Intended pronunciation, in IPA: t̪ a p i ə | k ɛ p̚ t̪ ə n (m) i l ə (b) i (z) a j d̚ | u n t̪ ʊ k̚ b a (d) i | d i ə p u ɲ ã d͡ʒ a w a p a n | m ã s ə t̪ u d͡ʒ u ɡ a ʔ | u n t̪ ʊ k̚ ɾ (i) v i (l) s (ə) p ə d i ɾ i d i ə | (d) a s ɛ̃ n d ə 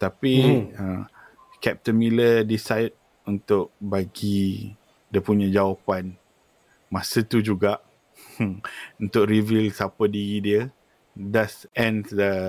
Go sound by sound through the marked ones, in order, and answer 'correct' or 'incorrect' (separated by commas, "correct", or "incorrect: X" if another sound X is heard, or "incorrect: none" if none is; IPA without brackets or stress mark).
correct, incorrect: d, incorrect: s, incorrect: ɡ, correct, correct, incorrect: a, correct